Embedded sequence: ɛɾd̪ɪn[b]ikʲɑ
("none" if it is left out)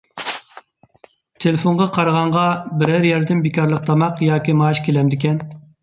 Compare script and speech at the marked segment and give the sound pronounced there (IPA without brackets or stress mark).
b